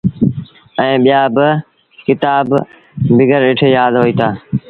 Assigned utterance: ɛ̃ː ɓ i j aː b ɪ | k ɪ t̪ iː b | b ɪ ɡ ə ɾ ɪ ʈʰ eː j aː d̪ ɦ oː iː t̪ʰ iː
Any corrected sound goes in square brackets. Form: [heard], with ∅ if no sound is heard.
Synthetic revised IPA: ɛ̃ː ɓ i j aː b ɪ | k ɪ t̪ [aː] b | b ɪ ɡ ə ɾ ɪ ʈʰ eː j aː d̪ ɦ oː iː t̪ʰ [aː]